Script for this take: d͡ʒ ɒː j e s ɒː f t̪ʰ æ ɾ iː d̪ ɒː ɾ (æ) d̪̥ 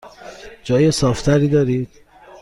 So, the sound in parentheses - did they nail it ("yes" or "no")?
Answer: no